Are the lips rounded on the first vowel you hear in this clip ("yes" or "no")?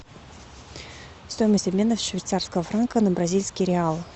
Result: yes